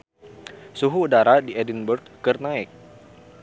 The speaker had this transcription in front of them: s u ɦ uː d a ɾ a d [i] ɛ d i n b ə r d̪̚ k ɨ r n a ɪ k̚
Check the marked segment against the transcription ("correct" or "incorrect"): correct